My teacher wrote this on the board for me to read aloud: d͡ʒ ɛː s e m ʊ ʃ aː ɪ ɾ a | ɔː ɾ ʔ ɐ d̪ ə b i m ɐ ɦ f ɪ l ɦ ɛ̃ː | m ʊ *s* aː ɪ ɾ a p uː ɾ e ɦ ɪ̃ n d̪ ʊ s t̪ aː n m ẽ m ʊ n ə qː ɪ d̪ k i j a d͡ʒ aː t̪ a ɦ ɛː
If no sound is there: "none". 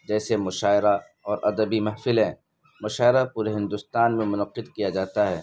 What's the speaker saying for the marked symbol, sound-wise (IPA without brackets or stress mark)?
ʃ